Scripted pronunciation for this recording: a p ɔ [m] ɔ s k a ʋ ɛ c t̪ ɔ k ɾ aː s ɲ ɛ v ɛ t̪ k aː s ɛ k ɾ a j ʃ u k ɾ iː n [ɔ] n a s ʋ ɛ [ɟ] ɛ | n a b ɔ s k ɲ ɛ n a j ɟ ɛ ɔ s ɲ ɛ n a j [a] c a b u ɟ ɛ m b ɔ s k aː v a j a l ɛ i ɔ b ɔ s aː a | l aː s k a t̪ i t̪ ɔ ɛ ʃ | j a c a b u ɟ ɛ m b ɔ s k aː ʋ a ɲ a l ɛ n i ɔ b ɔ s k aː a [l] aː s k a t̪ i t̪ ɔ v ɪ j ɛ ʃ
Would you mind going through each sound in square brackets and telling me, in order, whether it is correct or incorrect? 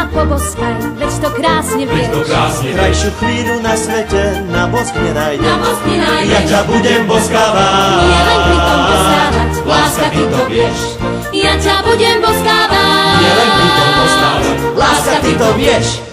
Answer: incorrect: b, incorrect: u, incorrect: c, correct, correct

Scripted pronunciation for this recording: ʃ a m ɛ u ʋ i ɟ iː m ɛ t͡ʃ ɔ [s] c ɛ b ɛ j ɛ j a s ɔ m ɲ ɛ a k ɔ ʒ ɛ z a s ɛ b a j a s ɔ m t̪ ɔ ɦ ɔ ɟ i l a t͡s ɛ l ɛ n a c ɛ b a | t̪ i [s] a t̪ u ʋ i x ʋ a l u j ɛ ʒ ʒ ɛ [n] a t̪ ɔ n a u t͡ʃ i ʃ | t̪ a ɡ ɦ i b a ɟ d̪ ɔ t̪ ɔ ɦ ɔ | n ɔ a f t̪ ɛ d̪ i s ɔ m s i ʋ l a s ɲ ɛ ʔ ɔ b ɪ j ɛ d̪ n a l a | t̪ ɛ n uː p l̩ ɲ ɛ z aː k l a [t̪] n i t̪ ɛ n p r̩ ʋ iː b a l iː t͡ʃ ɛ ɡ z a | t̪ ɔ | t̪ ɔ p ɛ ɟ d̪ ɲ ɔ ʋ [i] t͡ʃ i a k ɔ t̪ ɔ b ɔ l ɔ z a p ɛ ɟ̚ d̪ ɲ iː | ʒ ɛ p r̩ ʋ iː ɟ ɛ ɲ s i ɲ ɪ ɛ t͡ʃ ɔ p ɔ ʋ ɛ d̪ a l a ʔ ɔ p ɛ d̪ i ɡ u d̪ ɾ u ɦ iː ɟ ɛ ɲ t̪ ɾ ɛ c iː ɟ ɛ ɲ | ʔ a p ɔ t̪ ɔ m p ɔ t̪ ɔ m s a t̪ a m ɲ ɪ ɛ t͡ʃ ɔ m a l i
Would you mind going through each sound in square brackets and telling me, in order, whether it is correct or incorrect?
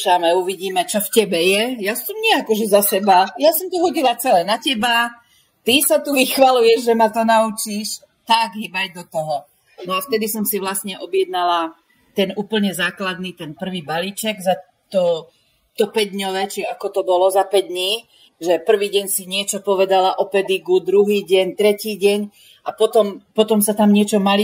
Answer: incorrect: f, correct, incorrect: m, incorrect: d̪, incorrect: ɛ

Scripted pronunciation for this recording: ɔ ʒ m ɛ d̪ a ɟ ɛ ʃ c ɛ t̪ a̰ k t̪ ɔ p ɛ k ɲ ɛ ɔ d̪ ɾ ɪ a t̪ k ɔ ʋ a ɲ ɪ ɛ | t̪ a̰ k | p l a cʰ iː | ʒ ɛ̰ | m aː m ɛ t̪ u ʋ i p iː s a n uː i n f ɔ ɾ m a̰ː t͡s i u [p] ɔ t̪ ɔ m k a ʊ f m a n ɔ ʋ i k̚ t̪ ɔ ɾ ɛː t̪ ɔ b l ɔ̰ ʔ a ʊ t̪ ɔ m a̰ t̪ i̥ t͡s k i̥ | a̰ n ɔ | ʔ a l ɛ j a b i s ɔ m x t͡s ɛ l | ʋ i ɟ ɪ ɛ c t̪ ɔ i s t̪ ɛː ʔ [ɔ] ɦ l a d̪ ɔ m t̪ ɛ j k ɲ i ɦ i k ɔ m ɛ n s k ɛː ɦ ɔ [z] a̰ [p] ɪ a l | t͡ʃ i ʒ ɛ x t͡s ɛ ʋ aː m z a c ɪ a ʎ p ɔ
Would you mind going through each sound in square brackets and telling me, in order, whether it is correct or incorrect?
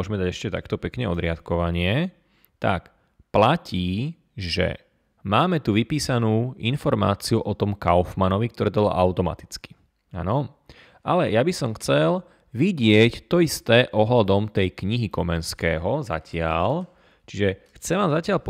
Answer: incorrect: ʔ, correct, correct, incorrect: c

